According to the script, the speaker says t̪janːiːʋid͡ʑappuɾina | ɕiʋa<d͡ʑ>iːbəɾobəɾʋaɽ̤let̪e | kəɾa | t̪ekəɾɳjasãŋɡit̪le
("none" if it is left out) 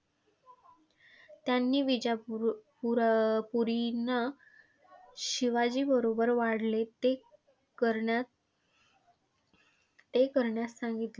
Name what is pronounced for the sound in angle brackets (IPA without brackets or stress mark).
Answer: d͡ʑ